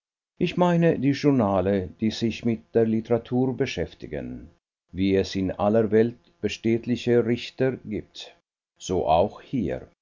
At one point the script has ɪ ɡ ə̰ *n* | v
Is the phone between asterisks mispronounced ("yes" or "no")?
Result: no